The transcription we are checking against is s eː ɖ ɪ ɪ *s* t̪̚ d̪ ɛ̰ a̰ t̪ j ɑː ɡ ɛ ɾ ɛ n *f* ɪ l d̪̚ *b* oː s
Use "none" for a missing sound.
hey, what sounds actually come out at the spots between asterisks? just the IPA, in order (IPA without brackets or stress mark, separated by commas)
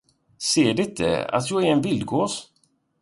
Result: none, v, ɡ